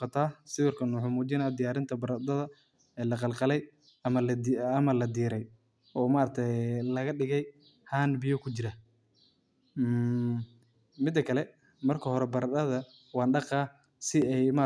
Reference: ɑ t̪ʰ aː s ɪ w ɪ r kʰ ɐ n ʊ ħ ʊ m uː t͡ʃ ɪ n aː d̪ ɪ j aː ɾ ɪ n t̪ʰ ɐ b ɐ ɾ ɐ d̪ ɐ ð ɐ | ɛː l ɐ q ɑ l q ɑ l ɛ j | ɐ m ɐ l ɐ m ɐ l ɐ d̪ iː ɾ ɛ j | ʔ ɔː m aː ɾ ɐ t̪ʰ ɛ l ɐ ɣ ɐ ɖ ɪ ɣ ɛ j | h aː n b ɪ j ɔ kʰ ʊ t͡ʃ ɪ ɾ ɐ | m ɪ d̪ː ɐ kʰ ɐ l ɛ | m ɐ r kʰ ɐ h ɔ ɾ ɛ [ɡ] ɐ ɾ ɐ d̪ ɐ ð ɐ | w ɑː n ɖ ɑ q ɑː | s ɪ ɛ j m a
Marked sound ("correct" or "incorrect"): incorrect